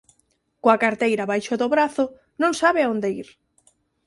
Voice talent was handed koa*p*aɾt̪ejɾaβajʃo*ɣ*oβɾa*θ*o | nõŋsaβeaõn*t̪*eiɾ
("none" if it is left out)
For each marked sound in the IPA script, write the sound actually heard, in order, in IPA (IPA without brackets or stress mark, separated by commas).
k, ð, θ, d̪